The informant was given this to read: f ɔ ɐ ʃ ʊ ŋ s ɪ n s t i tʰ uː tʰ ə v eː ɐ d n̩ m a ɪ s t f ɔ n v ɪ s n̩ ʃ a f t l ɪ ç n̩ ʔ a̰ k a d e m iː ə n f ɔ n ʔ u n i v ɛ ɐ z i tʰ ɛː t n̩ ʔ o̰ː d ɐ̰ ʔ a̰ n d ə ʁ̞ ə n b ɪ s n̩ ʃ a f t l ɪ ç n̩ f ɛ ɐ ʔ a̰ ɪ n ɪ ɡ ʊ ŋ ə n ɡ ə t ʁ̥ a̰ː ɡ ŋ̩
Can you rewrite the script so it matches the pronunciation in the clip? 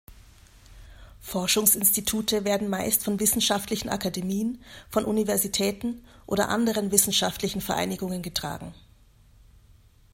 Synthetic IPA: f ɔ ɐ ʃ ʊ ŋ s ɪ n s t i tʰ uː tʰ ə v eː ɐ d n̩ m a ɪ s t f ɔ n v ɪ s n̩ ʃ a f t l ɪ ç n̩ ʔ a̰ k a d e m iː ə n f ɔ n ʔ u n i v ɛ ɐ z i tʰ ɛː t n̩ ʔ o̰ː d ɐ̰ ʔ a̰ n d ə ʁ̞ ə n v ɪ s n̩ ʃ a f t l ɪ ç n̩ f ɛ ɐ ʔ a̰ ɪ n ɪ ɡ ʊ ŋ ə n ɡ ə t ʁ̥ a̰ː ɡ ŋ̩